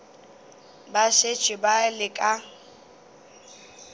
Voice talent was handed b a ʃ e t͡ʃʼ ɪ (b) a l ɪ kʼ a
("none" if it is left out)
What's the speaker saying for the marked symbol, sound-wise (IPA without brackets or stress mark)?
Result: b